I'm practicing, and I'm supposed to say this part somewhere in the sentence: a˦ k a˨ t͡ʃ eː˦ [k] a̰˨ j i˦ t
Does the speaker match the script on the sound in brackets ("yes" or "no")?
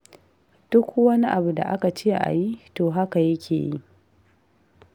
no